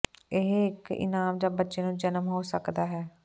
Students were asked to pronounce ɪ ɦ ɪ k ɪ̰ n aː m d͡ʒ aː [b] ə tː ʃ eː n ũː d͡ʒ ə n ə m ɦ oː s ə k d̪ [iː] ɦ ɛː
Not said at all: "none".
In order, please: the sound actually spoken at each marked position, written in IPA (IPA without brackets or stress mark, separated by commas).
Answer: b, aː